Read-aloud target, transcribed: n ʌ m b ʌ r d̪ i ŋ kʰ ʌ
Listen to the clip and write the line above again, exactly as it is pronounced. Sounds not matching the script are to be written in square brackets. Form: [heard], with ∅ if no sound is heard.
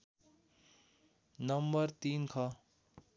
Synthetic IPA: n ʌ m b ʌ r [t̪] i [n] kʰ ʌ